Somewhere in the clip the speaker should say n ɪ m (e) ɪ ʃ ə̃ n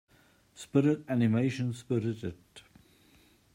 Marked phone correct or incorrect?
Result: correct